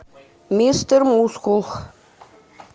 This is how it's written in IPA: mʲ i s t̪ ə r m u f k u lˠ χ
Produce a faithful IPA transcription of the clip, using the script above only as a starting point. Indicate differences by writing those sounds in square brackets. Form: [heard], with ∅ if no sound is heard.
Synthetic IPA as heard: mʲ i s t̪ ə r m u [s] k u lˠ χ

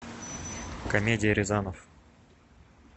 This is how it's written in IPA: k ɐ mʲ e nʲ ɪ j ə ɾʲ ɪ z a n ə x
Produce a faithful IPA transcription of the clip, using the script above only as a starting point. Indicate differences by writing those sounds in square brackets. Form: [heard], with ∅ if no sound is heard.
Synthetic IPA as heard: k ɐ mʲ e [dʲ] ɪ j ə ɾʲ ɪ z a n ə [f]

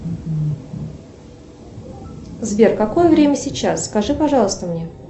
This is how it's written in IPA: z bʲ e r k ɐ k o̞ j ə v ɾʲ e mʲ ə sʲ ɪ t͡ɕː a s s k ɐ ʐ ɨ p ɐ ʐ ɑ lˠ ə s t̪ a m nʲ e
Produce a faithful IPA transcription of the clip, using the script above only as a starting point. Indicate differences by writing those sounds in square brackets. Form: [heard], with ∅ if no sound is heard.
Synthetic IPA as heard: z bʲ e r k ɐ k o̞ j ə v ɾʲ e mʲ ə sʲ ɪ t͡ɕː a s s k ɐ ʐ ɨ p ɐ ʐ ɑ lˠ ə s t̪ [ə] m nʲ e

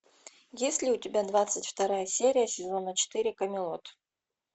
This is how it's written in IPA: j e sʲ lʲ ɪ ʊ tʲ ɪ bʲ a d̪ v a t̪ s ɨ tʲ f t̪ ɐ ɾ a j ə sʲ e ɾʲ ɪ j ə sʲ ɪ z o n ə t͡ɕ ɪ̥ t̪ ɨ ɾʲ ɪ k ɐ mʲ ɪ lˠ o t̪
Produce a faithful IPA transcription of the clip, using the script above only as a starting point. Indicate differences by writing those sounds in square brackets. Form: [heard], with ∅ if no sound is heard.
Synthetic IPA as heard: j e sʲ lʲ ɪ ʊ tʲ ɪ bʲ a d̪ v a t̪ s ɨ tʲ f t̪ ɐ ɾ a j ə sʲ e ɾʲ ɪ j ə sʲ ɪ z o n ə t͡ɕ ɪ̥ t̪ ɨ ɾʲ ɪ k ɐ mʲ ɪ lˠ o t̪

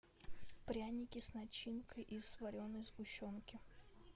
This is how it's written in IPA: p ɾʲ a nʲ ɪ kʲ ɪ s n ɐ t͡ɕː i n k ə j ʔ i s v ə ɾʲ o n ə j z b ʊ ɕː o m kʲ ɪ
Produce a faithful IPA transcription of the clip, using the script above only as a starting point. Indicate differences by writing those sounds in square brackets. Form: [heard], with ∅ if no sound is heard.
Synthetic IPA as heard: p ɾʲ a nʲ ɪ kʲ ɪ s n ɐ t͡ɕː i n k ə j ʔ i s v [ɐ] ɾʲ o n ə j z [ɡ] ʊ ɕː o [n] kʲ ɪ

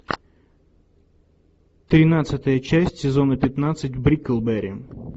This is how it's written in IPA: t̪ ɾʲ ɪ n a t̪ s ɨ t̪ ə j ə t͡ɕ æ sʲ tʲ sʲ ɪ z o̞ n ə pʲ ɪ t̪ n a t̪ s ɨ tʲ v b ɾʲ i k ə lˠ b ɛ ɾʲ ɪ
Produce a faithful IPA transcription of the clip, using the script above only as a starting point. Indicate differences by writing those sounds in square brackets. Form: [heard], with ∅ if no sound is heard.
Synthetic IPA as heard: t̪ ɾʲ ɪ n a t̪ s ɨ t̪ ə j ə t͡ɕ æ sʲ tʲ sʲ ɪ z o̞ n ə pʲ ɪ t̪ n a t̪ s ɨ tʲ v b ɾʲ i k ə lˠ b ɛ ɾʲ ɪ

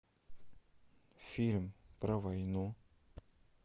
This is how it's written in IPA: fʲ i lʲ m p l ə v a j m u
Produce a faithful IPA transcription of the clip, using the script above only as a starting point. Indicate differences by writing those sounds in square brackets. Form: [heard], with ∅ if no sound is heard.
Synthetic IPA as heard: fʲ i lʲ m p [ɾ] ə v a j [n] u

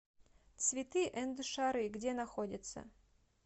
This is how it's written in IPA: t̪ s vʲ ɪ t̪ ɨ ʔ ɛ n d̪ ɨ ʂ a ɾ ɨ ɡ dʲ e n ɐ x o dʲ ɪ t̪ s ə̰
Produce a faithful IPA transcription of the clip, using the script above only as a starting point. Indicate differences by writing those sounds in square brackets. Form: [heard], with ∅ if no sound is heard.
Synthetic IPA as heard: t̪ s vʲ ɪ t̪ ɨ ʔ ɛ n d̪ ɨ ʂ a ɾ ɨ ɡ dʲ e n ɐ x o dʲ ɪ t̪ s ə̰

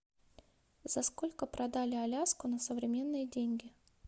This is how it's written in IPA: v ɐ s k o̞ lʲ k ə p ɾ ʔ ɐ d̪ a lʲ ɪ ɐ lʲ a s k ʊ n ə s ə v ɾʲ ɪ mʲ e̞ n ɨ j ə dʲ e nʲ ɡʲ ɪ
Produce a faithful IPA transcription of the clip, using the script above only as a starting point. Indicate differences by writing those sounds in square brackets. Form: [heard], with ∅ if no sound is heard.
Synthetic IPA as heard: [z] ɐ s k o̞ lʲ k ə p ɾ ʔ ɐ d̪ a lʲ ɪ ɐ lʲ a s k ʊ n ə s ə v ɾʲ ɪ mʲ e̞ [nː] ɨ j ə dʲ e nʲ ɡʲ ɪ

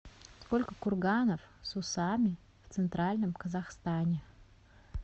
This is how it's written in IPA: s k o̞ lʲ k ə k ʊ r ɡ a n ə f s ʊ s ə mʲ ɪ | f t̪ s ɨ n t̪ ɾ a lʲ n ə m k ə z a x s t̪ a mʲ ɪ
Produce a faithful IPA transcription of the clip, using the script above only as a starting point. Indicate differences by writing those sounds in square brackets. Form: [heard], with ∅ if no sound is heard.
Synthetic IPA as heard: s k o̞ lʲ k ə k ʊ r ɡ a n ə f s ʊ s [a] mʲ ɪ | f t̪ s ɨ n t̪ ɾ a lʲ n ə m k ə z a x s t̪ a [nʲ] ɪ

